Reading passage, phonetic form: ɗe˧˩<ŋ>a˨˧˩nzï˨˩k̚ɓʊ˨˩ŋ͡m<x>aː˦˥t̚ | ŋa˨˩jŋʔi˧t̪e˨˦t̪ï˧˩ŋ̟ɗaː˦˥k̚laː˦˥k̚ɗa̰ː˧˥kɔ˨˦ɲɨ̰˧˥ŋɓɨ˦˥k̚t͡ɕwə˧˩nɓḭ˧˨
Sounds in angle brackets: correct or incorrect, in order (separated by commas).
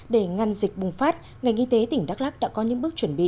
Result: correct, incorrect